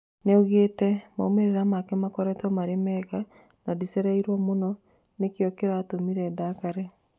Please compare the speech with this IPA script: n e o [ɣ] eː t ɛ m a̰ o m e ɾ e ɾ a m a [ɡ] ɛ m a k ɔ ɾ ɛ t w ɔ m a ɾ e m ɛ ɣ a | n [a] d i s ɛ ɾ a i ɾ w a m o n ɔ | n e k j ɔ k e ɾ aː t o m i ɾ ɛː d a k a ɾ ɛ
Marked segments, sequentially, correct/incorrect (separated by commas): correct, incorrect, correct